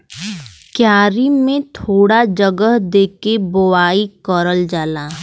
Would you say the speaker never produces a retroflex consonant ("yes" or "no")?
no